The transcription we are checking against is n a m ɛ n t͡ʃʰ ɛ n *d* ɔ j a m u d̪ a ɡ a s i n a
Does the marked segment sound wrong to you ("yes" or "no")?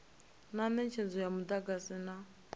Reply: yes